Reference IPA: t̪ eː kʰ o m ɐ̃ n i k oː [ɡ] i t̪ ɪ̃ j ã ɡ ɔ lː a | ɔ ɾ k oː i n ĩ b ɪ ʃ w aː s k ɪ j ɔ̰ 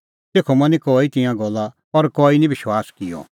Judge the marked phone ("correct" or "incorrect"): incorrect